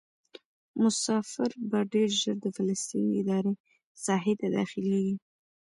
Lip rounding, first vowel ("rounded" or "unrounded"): rounded